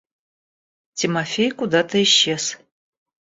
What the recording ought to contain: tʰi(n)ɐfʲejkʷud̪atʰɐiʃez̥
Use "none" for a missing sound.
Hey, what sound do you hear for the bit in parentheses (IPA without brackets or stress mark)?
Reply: m